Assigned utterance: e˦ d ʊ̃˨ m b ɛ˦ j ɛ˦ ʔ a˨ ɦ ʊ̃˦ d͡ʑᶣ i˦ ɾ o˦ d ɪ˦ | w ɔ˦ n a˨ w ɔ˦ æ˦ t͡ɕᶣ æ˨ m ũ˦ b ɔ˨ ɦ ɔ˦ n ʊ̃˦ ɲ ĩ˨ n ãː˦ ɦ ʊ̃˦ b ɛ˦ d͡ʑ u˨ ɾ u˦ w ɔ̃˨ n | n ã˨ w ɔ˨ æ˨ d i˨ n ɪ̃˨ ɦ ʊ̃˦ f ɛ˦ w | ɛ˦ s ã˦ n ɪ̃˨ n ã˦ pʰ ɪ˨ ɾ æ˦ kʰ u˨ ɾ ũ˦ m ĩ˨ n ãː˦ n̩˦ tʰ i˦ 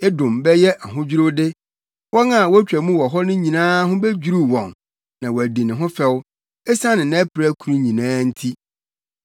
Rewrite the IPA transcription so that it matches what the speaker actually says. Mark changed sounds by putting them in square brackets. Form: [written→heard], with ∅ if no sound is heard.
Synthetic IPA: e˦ d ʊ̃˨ m b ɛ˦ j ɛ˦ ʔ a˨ ɦ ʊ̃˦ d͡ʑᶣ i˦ ɾ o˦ d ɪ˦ | w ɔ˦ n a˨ w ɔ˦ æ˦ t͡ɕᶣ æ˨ m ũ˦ [b→w] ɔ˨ ɦ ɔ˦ n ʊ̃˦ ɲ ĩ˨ n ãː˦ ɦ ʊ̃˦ b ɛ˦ d͡ʑ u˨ ɾ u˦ w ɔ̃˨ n | n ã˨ w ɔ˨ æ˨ d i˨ n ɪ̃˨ ɦ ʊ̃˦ f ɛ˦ w | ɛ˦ s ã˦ n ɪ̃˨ n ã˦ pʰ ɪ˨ ɾ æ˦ kʰ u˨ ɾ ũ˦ [m→ɲ] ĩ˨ n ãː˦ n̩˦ tʰ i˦